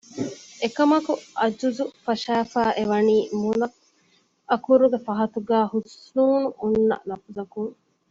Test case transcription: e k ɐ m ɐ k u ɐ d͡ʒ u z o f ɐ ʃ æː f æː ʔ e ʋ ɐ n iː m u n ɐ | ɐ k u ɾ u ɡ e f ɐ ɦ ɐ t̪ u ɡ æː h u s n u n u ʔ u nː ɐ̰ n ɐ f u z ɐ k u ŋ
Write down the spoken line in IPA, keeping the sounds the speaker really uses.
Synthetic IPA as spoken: e k ɐ m ɐ k u ɐ d͡ʒ u z u f ɐ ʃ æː f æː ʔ e ʋ ɐ n iː m u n ɐ | ɐ k u ɾ u ɡ e f ɐ ɦ ɐ t̪ u ɡ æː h u s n uː n u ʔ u nː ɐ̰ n ɐ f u z ɐ k u ŋ